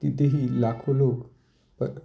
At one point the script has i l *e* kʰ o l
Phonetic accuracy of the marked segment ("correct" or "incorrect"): incorrect